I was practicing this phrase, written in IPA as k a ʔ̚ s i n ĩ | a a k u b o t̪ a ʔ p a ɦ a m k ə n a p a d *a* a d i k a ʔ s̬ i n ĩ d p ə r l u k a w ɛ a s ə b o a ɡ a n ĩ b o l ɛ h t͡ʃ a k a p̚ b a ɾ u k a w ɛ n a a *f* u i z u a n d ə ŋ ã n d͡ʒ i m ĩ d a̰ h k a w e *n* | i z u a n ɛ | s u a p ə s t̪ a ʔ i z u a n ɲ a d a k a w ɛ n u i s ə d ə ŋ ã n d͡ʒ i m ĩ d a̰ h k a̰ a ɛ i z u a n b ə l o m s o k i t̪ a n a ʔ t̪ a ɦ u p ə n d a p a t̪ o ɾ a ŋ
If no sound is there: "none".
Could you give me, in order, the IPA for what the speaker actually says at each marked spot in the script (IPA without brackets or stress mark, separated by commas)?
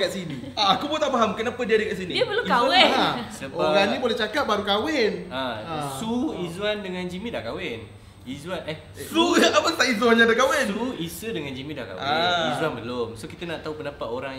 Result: i, s, n